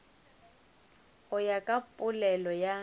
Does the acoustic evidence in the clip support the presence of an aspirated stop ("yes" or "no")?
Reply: no